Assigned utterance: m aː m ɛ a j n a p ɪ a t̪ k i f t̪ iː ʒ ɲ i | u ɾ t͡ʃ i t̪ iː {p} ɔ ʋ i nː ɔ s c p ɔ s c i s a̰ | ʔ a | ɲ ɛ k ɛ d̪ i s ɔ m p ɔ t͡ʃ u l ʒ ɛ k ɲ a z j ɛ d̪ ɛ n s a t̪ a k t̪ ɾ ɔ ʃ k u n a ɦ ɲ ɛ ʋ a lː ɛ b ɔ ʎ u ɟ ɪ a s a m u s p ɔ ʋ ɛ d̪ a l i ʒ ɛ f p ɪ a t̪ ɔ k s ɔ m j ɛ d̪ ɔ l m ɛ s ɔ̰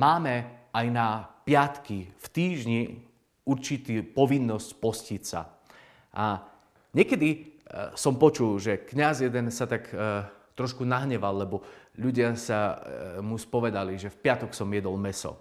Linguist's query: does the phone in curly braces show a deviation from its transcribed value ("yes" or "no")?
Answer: no